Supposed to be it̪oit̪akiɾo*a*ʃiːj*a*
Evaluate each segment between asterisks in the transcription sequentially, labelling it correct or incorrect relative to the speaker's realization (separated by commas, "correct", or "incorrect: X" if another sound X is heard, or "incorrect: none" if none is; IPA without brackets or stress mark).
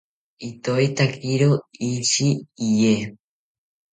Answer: incorrect: i, incorrect: e